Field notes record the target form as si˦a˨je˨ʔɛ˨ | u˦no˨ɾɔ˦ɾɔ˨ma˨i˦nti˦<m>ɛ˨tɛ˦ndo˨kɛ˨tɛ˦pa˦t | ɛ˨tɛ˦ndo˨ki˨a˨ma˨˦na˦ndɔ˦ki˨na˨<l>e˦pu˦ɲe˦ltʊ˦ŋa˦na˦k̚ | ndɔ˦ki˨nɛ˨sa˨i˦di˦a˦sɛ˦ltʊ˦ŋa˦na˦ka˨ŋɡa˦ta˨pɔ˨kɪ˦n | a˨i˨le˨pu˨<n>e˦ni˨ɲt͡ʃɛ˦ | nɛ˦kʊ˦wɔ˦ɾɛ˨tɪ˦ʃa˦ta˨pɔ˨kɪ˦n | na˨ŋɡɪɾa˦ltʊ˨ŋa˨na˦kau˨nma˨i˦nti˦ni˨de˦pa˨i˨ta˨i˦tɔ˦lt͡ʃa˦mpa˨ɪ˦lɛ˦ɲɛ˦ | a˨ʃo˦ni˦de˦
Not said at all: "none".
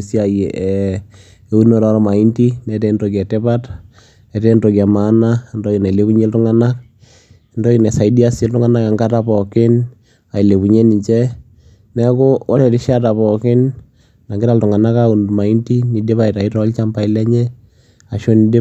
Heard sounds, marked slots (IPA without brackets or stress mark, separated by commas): n, l, ɲ